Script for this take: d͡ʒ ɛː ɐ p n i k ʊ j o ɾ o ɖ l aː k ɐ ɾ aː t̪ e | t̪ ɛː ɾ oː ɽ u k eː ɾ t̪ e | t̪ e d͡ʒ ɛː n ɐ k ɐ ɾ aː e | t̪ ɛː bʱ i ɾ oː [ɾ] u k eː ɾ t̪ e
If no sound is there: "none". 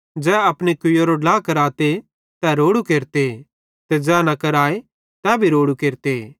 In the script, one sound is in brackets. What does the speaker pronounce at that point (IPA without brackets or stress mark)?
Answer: ɽ